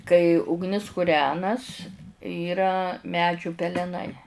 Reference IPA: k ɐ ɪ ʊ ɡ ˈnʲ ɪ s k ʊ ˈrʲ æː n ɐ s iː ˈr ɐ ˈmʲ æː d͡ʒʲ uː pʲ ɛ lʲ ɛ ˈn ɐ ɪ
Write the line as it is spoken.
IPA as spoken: k ɐ ɪ ʊ ɡ ˈnʲ ɪ s k ʊ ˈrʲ æː n ɐ s iː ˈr ɐ ˈmʲ æː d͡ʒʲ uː pʲ ɛ lʲ ɛ ˈn ɐ ɪ